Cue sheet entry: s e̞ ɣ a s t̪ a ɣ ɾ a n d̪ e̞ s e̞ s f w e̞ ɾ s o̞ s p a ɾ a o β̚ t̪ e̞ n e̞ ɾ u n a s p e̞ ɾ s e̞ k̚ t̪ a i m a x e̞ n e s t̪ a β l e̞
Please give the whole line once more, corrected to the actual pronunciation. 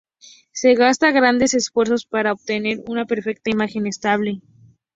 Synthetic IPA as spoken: s e̞ ɣ a s t̪ a ɣ ɾ a n d̪ e̞ s e̞ s f w e̞ ɾ s o̞ s p a ɾ a o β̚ t̪ e̞ n e̞ ɾ u n a p e̞ ɾ f e̞ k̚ t̪ a i m a x e̞ n e s t̪ a β l e̞